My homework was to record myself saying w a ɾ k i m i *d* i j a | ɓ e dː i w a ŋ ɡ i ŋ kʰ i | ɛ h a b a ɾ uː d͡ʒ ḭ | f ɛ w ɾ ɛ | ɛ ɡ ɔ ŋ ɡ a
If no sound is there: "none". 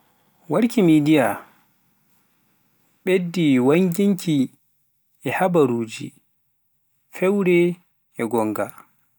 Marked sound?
d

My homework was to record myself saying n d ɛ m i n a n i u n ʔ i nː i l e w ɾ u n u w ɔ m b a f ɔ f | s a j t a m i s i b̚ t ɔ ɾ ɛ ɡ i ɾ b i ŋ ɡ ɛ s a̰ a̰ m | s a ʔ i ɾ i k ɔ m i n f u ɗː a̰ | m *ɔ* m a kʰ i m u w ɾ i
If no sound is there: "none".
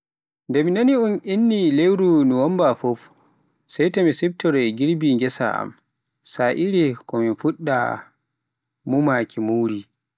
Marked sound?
u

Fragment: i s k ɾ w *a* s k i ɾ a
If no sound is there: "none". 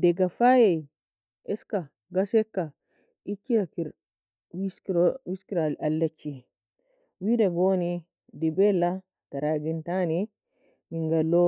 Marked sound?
i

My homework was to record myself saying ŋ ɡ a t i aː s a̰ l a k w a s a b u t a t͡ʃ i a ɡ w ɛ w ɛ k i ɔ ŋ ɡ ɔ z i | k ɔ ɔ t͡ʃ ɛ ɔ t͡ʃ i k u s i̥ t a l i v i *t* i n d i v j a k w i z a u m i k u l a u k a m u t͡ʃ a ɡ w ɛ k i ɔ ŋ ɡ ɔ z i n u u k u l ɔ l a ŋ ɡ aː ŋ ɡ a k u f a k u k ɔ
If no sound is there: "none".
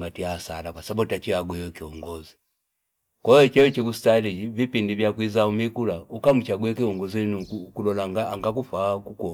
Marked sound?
p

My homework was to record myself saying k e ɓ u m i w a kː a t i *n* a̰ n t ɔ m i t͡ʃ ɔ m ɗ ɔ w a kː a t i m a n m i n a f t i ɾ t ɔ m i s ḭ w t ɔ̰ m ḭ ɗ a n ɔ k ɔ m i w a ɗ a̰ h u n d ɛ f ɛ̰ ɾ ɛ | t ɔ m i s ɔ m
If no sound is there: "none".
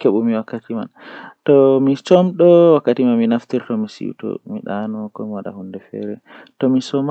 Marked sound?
m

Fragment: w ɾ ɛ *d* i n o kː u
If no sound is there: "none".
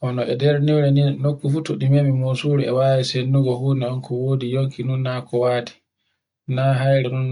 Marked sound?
n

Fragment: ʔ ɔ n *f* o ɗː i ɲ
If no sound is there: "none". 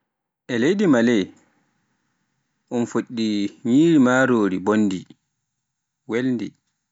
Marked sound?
f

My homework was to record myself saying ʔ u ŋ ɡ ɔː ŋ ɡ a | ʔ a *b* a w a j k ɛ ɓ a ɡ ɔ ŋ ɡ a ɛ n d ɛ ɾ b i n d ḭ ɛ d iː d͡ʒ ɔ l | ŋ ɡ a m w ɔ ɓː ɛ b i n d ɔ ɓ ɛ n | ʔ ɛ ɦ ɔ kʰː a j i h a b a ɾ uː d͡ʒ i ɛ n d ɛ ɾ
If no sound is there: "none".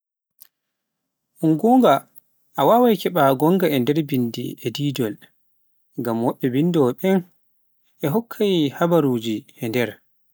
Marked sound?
w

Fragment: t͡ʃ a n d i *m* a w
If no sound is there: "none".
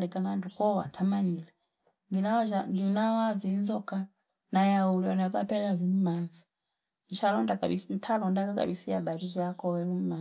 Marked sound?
n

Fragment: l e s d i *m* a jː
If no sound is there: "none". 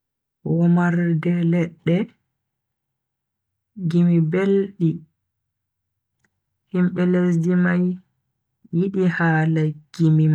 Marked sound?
m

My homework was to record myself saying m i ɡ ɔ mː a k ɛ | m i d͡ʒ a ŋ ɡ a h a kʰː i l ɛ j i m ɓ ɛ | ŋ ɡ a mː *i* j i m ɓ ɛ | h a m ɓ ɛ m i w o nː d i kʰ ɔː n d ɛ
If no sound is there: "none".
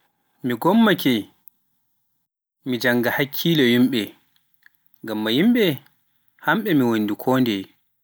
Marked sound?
a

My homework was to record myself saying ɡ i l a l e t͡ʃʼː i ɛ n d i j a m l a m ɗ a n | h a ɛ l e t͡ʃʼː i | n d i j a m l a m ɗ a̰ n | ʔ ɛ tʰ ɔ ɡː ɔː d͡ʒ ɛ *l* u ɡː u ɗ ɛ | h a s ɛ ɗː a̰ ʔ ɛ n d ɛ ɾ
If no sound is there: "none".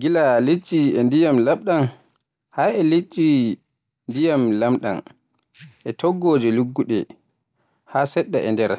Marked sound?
l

